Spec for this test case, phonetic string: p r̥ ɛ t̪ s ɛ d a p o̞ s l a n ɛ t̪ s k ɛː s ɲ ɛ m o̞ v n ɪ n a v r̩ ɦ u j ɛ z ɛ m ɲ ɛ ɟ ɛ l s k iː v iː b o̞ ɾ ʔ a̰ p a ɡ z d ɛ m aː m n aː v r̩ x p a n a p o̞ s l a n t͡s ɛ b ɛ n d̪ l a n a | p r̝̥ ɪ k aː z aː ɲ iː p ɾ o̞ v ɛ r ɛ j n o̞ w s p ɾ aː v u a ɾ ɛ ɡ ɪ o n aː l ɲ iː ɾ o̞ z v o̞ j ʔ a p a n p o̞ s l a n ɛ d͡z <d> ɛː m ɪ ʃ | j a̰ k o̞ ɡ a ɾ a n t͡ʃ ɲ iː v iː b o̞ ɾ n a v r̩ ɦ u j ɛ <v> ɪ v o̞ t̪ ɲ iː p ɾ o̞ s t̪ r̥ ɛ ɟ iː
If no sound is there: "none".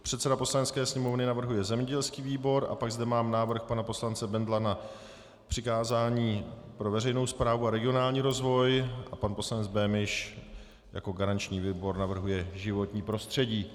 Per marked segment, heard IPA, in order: b, ʒ

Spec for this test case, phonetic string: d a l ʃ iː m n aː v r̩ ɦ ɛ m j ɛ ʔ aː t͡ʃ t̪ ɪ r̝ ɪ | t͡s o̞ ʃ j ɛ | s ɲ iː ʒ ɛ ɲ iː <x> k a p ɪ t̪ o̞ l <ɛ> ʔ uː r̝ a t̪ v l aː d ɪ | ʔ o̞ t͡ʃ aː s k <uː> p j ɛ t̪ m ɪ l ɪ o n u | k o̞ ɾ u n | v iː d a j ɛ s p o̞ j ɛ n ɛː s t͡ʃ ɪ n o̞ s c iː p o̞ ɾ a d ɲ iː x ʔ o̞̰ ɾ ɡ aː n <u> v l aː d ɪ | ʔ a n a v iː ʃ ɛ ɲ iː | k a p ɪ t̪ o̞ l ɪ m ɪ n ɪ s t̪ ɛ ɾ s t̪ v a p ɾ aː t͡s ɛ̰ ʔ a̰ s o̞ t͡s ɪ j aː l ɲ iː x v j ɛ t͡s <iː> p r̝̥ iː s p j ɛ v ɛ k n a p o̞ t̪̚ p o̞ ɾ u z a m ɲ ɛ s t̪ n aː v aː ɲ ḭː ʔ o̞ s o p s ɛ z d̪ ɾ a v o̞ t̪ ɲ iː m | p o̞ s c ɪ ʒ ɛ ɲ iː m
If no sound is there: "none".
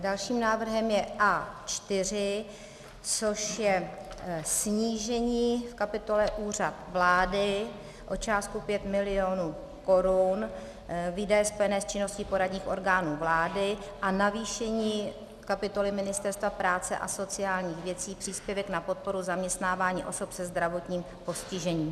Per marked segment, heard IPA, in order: f, ɛ, u, uː, iː

